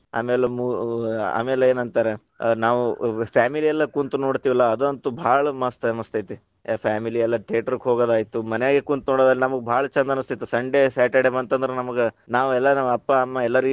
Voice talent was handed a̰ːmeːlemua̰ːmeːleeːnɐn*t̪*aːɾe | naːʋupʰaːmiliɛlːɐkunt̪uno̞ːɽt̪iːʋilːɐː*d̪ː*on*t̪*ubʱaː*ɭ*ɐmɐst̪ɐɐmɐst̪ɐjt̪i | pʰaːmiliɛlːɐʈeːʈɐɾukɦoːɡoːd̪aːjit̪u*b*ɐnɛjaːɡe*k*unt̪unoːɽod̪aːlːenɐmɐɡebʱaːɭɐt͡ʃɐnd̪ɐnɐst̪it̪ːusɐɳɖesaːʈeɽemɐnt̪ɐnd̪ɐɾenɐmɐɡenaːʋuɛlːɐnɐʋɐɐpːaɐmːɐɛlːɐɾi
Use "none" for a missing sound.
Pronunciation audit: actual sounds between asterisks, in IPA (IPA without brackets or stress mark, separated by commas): t̪, d̪, t̪, ɭ, m, k